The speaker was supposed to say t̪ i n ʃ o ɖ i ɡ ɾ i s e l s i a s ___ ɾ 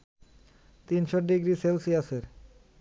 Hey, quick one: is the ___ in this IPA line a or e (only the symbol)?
e